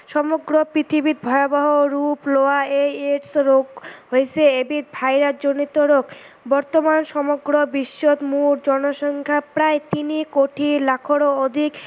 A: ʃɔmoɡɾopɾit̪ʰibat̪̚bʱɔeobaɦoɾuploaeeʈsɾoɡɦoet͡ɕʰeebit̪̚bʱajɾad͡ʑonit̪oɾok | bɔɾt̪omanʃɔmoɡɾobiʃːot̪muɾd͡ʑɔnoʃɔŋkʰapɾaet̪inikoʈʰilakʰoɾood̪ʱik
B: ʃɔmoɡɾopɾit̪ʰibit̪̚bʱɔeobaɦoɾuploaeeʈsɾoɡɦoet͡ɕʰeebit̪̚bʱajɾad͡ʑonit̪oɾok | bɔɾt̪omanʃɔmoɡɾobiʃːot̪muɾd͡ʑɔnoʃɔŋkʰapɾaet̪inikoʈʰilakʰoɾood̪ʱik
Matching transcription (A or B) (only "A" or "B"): B